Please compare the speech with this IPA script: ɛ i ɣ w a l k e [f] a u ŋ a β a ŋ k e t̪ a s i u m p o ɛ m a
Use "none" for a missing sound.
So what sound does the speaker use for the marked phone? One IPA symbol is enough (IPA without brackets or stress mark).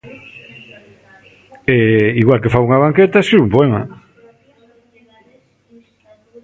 f